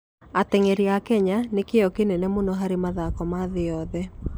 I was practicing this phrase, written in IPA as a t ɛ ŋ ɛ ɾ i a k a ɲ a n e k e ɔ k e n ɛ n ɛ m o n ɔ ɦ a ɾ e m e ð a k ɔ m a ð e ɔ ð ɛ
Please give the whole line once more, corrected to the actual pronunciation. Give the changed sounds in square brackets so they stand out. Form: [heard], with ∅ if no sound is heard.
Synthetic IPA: a t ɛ ŋ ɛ ɾ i a k [ɛ] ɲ a n e k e ɔ k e n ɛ n ɛ m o n ɔ ɦ a ɾ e m [a] ð a k ɔ m a ð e ɔ ð ɛ

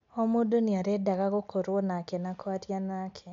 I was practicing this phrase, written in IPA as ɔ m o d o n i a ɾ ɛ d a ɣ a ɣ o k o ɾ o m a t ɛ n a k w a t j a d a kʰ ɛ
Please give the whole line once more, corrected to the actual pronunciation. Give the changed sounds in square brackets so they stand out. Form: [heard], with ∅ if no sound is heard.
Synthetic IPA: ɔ m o d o n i a ɾ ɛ d a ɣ a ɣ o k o ɾ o [n] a [k] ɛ n a k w a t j a [n] a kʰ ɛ

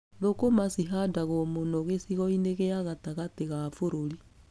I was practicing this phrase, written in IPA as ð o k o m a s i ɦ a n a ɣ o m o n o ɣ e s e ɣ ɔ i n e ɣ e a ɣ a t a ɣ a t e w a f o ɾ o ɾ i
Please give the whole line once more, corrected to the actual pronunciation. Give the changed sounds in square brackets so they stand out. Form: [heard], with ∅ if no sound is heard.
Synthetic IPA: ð o k o m a s i ɦ a [d] a ɣ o m o n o ɣ e s [i] ɣ ɔ i n e ɣ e a ɣ a t a ɣ a t e [ɣ] a f o ɾ o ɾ i

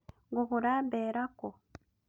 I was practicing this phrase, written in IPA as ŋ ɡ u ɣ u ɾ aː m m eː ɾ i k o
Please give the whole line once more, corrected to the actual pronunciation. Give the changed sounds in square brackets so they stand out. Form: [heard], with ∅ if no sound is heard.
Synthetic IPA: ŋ ɡ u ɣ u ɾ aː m [b] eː ɾ [a] k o

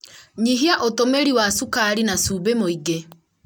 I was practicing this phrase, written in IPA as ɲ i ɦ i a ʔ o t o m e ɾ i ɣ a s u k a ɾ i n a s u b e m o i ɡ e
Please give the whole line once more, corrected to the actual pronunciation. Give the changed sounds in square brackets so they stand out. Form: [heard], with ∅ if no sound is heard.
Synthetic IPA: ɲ i ɦ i a ʔ o t o m e ɾ i [w] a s u k a ɾ i n a s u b e m o i ɡ e

